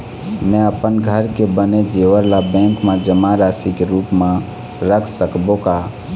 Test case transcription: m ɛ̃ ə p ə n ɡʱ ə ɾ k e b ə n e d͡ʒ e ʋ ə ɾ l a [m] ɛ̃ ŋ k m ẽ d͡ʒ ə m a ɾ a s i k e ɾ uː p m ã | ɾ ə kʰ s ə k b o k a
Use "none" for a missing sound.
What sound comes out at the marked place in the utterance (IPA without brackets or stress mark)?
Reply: b